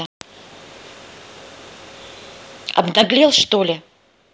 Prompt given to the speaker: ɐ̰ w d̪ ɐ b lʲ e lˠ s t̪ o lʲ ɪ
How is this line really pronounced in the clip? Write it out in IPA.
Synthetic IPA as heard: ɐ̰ b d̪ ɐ ɡ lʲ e lˠ ʂ t̪ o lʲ ɪ